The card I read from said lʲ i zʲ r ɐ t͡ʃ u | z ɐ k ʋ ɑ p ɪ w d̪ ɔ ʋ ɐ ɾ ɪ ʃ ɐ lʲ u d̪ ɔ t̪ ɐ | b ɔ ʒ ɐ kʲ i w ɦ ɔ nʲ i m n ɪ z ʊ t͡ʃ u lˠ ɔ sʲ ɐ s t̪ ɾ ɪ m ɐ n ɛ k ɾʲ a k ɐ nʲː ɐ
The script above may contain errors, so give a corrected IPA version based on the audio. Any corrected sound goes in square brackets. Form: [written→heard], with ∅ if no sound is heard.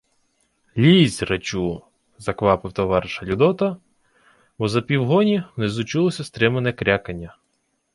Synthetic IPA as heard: lʲ i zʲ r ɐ t͡ʃ u | z ɐ k ʋ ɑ p ɪ w [d̪→t̪] ɔ ʋ [ɐ→ɑ] ɾ ɪ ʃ ɐ lʲ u d̪ ɔ t̪ ɐ | b ɔ [ʒ→z] ɐ [kʲ→pʲ] i w ɦ ɔ nʲ i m n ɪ z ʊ t͡ʃ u lˠ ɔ sʲ ɐ s t̪ ɾ ɪ m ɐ n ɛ k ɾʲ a k ɐ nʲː ɐ